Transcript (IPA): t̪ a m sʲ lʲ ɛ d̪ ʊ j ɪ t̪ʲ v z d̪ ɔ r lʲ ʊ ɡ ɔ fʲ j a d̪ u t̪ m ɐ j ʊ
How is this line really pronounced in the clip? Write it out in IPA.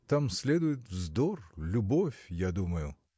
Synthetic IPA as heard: t̪ a m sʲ lʲ ɛ d̪ ʊ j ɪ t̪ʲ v z d̪ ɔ r lʲ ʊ b ɔ fʲ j a d̪ u m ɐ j ʊ